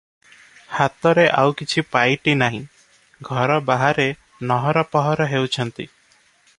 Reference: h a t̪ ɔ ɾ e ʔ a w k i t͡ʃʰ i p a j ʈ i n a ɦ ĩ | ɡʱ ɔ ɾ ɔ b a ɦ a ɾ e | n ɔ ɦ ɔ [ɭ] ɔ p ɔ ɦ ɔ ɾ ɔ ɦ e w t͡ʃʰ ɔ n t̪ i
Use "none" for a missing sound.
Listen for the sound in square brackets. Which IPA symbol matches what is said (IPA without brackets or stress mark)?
ɾ